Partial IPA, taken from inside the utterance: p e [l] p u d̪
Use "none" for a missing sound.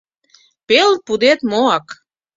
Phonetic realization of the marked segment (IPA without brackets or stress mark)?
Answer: l